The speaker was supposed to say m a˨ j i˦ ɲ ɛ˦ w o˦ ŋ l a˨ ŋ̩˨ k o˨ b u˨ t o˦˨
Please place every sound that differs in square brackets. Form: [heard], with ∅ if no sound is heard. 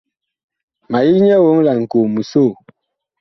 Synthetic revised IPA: m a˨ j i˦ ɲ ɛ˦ w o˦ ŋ l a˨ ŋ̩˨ k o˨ [m] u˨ [s] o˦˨